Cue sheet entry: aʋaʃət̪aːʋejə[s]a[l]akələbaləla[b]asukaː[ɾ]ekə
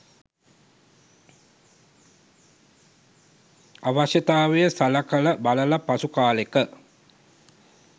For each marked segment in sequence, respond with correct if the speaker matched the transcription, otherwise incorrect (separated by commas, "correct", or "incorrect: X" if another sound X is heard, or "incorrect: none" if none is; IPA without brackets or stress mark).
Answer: correct, correct, incorrect: p, incorrect: l